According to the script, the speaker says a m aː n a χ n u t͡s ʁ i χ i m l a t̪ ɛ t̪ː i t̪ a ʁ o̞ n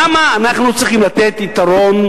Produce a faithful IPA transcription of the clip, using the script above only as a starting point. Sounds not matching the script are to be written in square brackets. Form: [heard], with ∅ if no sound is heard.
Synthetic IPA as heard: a m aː n a χ n u t͡s ʁ i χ i m l a t̪ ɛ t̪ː i t̪ a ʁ o̞ n

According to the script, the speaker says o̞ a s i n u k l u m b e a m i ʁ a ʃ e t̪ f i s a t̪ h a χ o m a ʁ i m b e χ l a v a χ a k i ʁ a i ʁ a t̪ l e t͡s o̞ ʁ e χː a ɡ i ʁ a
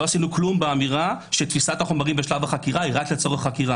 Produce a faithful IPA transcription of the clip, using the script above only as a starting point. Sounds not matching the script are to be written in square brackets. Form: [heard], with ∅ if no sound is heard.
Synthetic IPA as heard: o̞ a s i n u k l u m b e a m i ʁ a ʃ e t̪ f i s a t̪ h a χ o m a ʁ i m b e [ʃ] l a v a χ a k i ʁ a i ʁ a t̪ l e t͡s o̞ ʁ e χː a [k] i ʁ a

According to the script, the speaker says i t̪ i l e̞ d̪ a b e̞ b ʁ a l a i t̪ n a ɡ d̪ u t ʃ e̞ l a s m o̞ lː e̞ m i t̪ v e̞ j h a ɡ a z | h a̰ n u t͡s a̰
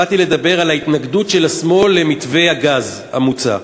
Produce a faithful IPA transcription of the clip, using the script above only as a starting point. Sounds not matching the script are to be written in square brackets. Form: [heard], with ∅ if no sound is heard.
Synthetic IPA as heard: [a] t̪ i l e̞ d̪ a b e̞ [∅] ʁ a l a i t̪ n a ɡ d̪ u t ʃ e̞ l a s m o̞ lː e̞ m i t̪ v e̞ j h a ɡ a z | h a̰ [m] u t͡s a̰

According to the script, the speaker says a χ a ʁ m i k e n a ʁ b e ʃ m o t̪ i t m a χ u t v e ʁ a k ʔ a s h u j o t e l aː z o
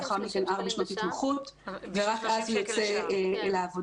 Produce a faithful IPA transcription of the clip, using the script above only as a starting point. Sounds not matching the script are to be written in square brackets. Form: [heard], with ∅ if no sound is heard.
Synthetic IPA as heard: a χ a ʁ m i k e n a ʁ b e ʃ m o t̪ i t m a χ u t v e ʁ a k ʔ a [z] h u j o [t͡s] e l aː [v] o

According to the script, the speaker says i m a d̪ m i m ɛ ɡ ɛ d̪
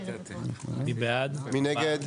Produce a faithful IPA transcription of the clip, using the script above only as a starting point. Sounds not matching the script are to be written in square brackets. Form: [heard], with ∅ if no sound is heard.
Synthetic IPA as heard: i [b] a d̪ m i [n] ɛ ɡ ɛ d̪

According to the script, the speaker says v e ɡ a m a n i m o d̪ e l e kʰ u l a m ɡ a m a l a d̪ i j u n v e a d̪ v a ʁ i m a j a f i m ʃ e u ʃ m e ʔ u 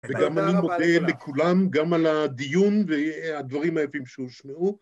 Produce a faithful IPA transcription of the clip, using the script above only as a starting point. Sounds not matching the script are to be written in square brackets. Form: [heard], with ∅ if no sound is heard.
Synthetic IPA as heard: v e ɡ a m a n i m o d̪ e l e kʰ u l a m ɡ a m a l a d̪ i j u n v e a d̪ v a ʁ i m a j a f i m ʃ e u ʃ m e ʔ u

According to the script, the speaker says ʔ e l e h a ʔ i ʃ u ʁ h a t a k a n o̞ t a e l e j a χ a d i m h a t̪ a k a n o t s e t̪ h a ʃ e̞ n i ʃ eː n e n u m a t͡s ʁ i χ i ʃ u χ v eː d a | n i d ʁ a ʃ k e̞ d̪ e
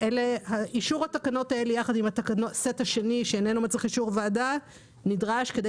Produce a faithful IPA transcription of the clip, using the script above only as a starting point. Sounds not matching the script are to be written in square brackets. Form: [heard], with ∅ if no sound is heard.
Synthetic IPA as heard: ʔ e l e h a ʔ i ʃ u ʁ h a t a k a n o̞ t a e l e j a χ a d i m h a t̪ a k a n o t s e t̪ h a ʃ e̞ n i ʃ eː n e n u m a t͡s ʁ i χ i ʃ u [ʁ] v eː d a | n i d ʁ a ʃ k e̞ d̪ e

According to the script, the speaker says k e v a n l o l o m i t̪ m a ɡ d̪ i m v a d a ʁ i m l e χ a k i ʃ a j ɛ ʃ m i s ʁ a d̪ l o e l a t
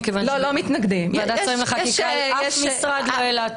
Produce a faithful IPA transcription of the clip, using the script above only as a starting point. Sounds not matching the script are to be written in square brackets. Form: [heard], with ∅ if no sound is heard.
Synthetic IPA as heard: k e v a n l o l o m i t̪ [n] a ɡ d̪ i m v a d a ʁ i m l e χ a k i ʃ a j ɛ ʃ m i s ʁ a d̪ l o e l a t

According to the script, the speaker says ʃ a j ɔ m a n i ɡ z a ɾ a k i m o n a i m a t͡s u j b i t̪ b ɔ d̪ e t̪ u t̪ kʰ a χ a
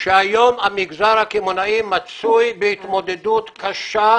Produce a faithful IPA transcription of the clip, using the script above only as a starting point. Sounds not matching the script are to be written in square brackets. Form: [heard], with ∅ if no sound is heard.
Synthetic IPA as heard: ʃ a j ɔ m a [m] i ɡ z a ɾ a k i m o n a i m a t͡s u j b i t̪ [m] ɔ d̪ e [d̪] u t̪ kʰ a [ʃ] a

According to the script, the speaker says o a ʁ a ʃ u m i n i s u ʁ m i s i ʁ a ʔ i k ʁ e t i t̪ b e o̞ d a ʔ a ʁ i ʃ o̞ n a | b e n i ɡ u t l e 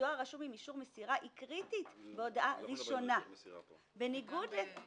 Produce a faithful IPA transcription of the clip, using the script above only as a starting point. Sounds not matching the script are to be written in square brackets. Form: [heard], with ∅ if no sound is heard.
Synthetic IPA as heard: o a ʁ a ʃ u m i [m] i [ʃ] u ʁ m [e] s i ʁ a ʔ i k ʁ [i] t i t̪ b e o̞ d a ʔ a ʁ i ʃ o̞ n a | b e n i ɡ u [d] l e

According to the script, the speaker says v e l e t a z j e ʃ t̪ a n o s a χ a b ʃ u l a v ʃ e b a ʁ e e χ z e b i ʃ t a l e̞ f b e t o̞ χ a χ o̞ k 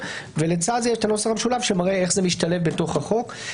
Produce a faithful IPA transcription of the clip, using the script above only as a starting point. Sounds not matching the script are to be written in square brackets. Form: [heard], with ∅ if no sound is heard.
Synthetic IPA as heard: v e l e [t͡s] a z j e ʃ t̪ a n o s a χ a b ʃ u l a v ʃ e [m] a ʁ e e χ z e [m] i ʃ t a l e̞ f b e t o̞ χ a χ o̞ k

